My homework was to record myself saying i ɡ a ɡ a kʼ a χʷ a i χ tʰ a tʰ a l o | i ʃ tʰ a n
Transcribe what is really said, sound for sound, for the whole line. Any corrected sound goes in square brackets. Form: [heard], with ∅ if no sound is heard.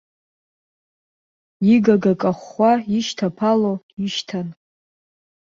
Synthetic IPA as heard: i ɡ a ɡ a kʼ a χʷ a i [ʃ] tʰ a [pʰ] a l o | i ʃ tʰ a n